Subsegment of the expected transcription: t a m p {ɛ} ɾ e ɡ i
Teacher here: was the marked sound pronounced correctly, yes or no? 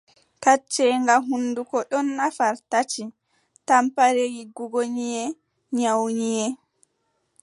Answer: no